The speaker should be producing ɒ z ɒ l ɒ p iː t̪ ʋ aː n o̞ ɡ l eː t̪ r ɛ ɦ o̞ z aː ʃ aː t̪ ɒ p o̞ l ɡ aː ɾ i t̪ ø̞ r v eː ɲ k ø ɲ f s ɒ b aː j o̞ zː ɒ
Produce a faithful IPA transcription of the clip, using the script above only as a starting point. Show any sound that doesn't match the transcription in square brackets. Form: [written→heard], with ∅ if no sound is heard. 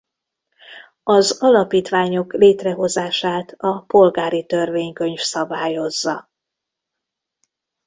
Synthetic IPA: ɒ z ɒ l ɒ p iː t̪ ʋ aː [n→ɲ] o̞ [ɡ→k] l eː t̪ r ɛ ɦ o̞ z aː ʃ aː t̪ ɒ p o̞ l ɡ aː ɾ i t̪ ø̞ r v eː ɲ k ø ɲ f s ɒ b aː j o̞ zː ɒ